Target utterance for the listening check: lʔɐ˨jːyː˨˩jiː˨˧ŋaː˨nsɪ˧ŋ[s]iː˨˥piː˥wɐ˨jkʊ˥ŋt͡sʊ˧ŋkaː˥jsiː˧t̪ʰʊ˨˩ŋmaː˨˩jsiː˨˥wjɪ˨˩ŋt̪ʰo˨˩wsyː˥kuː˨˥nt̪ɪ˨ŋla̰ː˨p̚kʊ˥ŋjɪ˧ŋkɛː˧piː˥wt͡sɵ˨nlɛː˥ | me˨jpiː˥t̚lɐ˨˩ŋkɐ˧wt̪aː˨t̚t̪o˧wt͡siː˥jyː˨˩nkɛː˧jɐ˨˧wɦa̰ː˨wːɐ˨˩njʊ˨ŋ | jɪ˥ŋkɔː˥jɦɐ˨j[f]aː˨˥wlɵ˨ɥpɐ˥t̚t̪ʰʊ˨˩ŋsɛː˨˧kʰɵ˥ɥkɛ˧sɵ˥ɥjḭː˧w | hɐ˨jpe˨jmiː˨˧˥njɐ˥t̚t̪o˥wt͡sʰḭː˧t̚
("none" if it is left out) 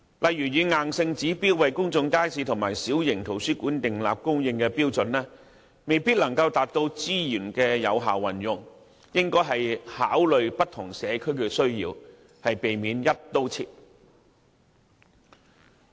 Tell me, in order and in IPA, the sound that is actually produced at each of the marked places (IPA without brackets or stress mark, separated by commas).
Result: t͡s, h